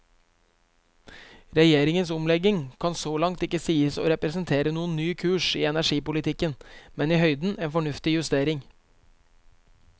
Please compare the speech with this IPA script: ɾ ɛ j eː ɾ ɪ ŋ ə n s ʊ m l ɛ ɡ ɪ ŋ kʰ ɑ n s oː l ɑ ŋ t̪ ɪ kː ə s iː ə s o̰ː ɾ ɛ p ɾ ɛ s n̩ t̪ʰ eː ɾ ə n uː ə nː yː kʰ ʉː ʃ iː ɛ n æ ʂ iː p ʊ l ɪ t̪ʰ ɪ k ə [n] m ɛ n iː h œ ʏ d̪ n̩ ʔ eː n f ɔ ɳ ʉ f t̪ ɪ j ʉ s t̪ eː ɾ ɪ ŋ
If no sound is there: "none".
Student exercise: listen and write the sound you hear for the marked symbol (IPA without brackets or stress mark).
n